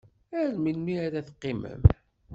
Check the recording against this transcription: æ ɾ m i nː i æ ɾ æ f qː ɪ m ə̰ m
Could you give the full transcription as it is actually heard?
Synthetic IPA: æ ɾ m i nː i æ ɾ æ θ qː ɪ m ə̰ m